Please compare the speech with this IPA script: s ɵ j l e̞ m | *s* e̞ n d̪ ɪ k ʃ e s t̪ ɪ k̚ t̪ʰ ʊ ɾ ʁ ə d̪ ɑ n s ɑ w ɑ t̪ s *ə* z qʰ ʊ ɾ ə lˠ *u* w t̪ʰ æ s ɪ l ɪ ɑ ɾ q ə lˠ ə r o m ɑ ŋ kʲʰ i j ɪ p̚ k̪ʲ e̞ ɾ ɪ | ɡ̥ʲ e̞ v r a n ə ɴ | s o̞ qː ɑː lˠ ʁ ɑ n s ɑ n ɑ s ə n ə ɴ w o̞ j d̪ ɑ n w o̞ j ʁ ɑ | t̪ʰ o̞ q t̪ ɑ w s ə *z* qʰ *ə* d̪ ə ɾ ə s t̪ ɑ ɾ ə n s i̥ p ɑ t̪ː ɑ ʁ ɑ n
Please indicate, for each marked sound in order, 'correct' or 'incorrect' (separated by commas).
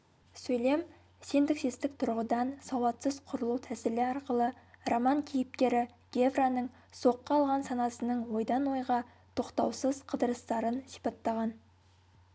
correct, correct, correct, correct, correct